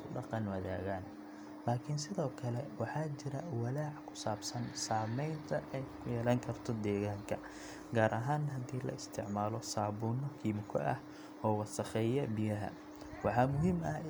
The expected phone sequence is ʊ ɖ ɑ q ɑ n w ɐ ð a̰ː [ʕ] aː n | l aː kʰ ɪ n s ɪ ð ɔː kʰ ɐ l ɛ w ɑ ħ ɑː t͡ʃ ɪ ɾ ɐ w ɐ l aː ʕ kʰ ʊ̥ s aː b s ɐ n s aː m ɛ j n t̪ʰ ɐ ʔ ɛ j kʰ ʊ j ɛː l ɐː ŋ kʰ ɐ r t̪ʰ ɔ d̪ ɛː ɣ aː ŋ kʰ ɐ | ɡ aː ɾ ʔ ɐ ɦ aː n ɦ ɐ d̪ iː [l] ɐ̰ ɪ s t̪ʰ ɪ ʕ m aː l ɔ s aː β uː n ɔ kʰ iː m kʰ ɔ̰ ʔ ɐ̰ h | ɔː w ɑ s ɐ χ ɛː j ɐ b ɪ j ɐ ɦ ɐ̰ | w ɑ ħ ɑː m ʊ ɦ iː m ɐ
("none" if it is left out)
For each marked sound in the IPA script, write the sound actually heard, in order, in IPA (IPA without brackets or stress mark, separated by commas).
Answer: ɣ, l